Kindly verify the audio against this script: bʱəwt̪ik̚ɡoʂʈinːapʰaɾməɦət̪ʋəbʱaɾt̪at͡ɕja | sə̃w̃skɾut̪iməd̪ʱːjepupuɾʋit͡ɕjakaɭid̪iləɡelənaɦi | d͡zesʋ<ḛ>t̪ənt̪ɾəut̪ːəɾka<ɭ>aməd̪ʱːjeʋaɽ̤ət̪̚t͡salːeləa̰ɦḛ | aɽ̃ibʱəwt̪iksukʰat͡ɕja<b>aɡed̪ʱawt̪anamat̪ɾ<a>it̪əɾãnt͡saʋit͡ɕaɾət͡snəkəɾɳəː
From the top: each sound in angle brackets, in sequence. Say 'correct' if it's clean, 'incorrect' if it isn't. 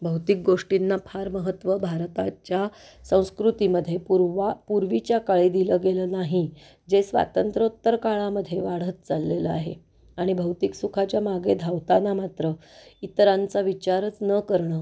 incorrect: a̰, correct, incorrect: m, incorrect: ə

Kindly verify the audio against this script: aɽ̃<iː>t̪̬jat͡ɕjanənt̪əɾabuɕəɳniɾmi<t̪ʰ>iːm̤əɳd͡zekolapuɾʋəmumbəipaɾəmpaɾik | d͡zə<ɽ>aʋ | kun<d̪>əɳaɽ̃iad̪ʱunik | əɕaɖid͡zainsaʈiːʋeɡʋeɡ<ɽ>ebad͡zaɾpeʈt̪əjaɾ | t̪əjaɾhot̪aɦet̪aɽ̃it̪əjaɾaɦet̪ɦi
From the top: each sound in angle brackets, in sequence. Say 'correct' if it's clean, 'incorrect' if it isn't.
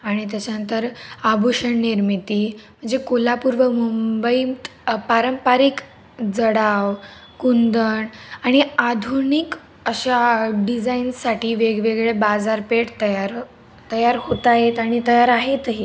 incorrect: i, incorrect: t̪, correct, correct, incorrect: ɭ

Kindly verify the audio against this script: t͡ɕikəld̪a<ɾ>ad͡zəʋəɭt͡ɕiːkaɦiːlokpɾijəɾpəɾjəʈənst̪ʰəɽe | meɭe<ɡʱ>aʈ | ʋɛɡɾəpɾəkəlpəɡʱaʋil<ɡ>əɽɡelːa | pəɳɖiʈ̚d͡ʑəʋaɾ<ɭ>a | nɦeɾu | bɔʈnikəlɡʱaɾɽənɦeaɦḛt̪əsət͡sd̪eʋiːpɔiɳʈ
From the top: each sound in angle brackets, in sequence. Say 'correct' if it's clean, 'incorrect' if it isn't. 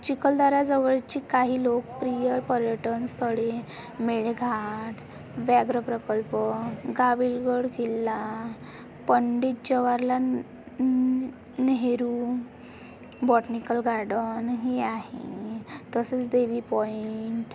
correct, correct, correct, incorrect: l

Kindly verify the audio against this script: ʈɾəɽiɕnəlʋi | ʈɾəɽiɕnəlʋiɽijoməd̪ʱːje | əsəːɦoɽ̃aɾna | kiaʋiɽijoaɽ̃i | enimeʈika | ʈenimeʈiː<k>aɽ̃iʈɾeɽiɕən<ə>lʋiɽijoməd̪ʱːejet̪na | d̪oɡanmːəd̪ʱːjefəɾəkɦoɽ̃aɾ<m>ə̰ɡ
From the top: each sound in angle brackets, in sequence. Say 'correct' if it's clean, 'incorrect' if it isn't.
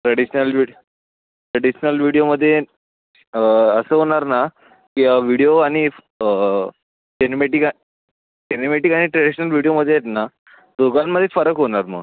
correct, correct, correct

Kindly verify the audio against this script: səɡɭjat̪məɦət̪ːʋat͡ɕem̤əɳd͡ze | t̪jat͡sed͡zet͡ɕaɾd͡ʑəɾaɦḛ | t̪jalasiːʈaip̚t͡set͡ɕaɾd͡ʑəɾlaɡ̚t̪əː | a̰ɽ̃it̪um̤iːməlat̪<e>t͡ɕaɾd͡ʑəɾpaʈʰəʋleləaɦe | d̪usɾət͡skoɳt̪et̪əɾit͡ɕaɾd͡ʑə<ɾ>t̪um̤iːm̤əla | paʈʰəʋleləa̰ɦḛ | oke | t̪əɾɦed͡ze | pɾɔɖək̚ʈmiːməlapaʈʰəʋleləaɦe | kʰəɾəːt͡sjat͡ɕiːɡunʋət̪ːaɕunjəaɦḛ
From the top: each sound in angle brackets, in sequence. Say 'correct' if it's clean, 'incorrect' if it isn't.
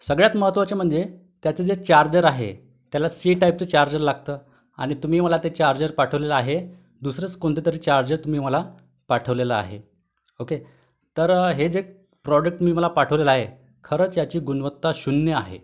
correct, correct

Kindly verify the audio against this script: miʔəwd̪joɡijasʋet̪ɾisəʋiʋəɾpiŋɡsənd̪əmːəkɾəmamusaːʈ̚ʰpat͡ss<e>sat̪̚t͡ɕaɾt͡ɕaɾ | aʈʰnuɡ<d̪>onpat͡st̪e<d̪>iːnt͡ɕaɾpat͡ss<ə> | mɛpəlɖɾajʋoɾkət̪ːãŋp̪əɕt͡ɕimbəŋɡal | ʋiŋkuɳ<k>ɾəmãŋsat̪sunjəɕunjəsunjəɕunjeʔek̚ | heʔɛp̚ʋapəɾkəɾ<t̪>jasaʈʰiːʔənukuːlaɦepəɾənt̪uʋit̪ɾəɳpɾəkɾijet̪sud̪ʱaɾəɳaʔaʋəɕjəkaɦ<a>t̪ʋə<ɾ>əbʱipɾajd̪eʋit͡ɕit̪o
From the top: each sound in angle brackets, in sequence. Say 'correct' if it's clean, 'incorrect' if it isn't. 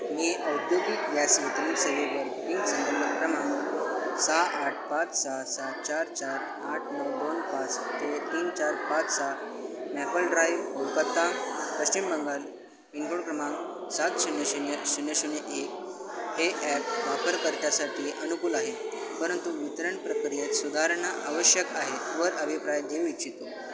incorrect: a, correct, incorrect: t̪, incorrect: a, correct, correct, incorrect: e, correct

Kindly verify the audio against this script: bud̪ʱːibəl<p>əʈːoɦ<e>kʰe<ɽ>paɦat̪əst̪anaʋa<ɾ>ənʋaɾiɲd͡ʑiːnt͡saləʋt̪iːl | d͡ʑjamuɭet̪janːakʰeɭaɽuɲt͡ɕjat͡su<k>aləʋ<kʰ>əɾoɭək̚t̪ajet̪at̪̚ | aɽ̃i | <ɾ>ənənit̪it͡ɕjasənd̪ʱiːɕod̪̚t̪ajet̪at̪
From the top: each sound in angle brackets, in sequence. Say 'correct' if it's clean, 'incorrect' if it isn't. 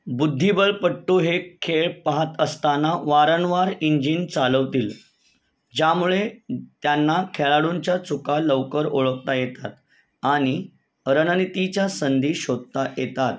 correct, correct, incorrect: ɭ, correct, correct, incorrect: k, correct

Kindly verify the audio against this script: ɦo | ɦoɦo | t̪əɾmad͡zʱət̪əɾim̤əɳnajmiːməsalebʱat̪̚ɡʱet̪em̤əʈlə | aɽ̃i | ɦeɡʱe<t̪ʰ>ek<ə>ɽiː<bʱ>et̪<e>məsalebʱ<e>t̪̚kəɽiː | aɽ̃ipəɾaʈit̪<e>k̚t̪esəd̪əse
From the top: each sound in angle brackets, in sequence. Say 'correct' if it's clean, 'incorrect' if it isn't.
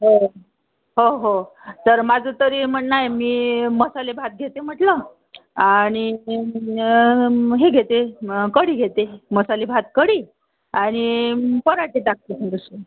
incorrect: t̪, correct, incorrect: ɡʱ, correct, incorrect: a, incorrect: a

